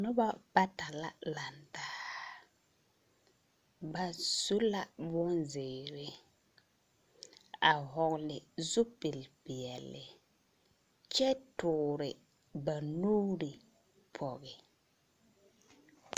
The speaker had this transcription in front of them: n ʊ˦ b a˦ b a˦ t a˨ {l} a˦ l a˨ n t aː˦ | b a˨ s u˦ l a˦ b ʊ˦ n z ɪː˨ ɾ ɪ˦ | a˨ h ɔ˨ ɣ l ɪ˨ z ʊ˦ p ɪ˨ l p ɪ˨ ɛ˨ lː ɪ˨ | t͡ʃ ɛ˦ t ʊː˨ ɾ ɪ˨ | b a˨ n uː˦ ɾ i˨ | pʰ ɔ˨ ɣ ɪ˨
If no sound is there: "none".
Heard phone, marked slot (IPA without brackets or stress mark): l